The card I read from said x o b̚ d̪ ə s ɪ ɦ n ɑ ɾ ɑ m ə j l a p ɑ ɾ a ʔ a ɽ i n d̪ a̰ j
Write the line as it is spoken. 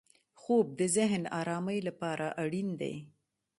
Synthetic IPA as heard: x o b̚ d̪ ə z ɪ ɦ n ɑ ɾ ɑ m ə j l a p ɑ ɾ a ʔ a ɽ i n d̪ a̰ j